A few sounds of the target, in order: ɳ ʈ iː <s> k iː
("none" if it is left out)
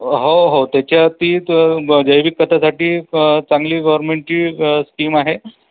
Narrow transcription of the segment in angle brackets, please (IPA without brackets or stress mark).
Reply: s